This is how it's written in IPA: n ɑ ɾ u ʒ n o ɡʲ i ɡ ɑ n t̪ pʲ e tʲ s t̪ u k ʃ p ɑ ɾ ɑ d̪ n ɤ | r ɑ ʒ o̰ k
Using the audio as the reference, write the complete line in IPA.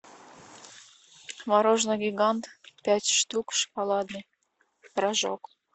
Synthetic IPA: m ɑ ɾ o ʒ n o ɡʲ i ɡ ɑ n t̪ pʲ æ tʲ ʃ t̪ u k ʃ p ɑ l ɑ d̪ n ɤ | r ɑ ʒ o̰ k